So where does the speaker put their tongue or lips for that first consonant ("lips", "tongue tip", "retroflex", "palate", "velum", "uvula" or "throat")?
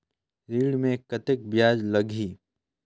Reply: tongue tip